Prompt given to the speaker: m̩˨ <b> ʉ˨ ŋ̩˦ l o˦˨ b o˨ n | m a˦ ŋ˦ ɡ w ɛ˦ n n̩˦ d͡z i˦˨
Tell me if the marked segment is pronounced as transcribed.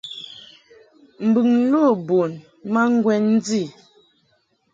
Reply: yes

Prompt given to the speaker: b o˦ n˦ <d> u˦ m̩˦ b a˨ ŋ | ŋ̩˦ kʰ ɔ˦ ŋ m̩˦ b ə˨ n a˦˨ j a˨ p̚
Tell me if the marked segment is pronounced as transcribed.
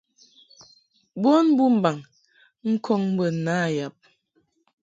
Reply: no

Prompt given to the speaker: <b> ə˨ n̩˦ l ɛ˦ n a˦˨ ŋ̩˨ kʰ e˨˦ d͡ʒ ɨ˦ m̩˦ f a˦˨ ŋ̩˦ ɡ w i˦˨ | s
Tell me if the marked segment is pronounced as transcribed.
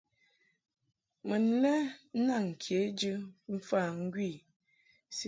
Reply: no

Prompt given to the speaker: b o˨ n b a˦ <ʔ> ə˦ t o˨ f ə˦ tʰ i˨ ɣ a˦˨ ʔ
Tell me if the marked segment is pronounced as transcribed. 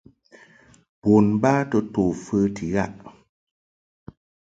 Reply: no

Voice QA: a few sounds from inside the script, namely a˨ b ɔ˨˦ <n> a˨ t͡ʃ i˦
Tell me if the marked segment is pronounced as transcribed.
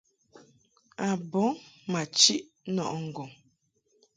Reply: no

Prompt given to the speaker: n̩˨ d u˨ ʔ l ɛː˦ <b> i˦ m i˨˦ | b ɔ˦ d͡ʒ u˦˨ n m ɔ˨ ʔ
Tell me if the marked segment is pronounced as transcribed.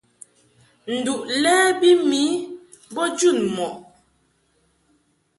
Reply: yes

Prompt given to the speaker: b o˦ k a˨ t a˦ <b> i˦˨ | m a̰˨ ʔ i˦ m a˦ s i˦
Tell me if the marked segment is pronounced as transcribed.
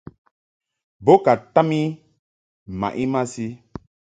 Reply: no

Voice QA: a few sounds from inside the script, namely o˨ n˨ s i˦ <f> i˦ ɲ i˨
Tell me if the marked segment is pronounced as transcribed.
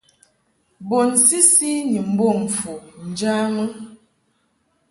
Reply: no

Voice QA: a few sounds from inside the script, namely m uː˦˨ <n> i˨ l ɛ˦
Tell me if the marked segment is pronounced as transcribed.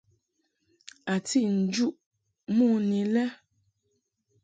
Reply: yes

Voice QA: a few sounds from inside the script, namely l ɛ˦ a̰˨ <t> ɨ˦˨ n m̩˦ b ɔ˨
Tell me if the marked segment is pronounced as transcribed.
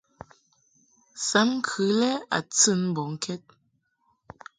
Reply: no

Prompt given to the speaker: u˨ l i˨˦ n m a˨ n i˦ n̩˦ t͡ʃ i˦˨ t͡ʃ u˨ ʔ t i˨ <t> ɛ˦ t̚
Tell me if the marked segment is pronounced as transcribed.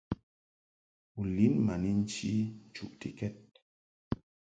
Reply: no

